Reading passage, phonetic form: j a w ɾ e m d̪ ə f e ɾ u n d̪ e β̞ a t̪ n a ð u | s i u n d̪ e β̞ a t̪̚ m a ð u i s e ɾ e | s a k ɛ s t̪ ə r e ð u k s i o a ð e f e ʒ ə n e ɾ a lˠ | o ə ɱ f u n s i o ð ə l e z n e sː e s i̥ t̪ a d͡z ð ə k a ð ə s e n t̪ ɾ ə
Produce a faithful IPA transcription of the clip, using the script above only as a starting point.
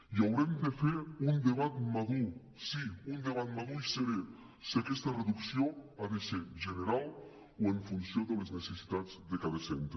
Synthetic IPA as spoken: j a w ɾ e m d̪ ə f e ɾ u n d̪ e β̞ a t̪ m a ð u | s i u n d̪ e β̞ a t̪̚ m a ð u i s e ɾ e | s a k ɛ s t̪ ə r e ð u k s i o a ð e s e ʒ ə n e ɾ a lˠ | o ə ɱ f u n s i o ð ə l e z n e s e s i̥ t̪ a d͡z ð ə k a ð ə s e n t̪ ɾ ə